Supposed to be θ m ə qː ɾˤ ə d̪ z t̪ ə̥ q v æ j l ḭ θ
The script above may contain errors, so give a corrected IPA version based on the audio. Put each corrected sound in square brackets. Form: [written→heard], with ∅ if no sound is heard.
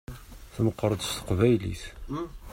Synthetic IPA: θ m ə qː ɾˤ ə d̪ [z→s] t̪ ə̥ q v æ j l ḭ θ